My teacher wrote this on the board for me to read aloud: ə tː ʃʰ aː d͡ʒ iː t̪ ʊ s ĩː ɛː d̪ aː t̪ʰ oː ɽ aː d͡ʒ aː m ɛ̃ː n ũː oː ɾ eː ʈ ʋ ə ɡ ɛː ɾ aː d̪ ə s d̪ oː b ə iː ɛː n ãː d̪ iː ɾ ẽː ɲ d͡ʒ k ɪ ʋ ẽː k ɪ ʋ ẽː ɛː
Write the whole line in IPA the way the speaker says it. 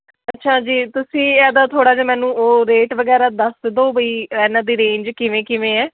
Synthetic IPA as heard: ə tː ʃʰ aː d͡ʒ iː t̪ ʊ s ĩː ɛː d̪ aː t̪ʰ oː ɽ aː d͡ʒ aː m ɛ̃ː n ũː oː ɾ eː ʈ ʋ ə ɡ ɛː ɾ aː d̪ ə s d̪ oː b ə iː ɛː n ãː d̪ iː ɾ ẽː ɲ d͡ʒ k ɪ ʋ ẽː k ɪ ʋ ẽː ɛː